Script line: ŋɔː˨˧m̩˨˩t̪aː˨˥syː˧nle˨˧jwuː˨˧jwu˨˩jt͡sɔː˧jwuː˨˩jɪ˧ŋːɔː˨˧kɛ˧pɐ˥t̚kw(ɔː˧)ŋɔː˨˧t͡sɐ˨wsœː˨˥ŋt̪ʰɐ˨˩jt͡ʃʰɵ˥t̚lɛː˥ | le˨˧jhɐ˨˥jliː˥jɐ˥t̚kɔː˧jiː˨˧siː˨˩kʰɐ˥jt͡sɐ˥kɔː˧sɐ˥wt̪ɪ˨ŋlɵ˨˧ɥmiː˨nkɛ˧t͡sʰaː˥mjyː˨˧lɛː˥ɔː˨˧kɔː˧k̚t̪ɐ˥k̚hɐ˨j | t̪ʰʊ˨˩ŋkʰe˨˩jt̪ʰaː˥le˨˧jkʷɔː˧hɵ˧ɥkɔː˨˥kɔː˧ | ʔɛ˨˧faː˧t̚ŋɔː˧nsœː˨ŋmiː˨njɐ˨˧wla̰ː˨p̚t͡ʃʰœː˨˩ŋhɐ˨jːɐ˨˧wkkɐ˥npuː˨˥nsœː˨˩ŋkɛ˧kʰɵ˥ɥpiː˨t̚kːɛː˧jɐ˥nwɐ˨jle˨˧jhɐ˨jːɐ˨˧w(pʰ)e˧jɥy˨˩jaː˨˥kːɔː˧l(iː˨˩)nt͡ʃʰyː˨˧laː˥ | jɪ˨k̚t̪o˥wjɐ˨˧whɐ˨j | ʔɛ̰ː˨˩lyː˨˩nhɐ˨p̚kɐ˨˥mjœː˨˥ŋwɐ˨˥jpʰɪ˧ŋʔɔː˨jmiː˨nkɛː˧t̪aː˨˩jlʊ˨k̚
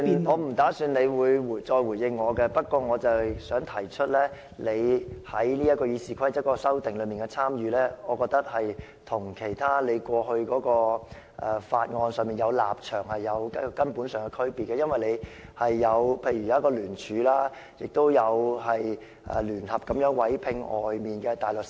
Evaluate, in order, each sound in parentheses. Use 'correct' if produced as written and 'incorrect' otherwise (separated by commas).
correct, correct, incorrect